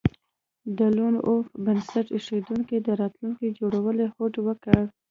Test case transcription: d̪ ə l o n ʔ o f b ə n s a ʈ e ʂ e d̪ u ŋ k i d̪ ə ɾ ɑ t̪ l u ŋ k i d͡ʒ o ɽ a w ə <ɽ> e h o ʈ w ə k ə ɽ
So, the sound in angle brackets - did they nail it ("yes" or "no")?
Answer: no